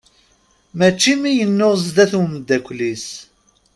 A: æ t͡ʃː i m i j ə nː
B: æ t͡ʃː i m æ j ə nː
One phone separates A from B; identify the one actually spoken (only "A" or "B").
A